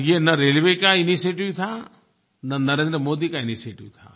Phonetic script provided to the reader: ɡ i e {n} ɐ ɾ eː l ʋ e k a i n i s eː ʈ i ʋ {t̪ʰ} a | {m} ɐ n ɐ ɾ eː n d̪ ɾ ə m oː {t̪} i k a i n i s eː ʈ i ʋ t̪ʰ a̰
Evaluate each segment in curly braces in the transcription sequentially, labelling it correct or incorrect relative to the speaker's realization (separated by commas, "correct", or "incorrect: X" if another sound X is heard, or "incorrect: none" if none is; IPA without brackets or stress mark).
correct, correct, incorrect: n, incorrect: d̪